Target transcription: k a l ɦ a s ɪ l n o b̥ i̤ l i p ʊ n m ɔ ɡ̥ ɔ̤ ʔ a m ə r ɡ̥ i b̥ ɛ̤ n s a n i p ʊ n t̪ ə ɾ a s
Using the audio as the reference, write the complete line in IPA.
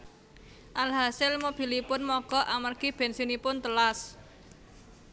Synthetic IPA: ʔ a l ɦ a s ɪ l m o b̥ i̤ l i p ʊ n m ɔ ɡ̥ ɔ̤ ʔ a m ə r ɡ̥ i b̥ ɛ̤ n s i n i p ʊ n t̪ ə l a s